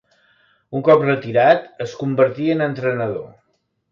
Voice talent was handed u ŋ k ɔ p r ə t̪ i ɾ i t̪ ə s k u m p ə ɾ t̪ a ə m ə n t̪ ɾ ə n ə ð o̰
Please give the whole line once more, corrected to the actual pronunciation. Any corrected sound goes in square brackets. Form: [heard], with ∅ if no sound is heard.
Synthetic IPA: u ŋ k ɔ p r ə t̪ i ɾ [a] t̪ ə s k u m [b] ə ɾ t̪ [i] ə [n] ə n t̪ ɾ ə n ə ð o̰